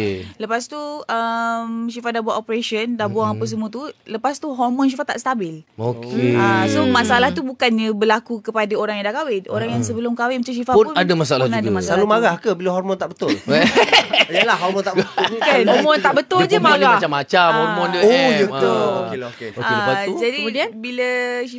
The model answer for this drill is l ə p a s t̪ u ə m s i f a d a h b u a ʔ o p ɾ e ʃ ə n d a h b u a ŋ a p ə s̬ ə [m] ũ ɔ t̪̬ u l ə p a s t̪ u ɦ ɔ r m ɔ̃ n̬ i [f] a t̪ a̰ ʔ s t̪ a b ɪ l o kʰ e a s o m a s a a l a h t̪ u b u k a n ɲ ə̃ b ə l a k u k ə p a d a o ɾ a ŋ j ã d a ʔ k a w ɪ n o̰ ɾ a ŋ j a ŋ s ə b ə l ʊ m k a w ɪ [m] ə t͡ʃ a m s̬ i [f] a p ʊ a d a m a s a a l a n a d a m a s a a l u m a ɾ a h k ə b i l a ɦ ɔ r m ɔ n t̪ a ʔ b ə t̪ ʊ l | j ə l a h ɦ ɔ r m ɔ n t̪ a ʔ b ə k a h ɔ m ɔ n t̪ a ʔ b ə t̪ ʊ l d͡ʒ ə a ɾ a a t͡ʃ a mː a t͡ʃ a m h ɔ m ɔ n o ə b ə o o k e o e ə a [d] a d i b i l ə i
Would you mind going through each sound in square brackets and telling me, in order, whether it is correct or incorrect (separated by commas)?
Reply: correct, correct, correct, correct, incorrect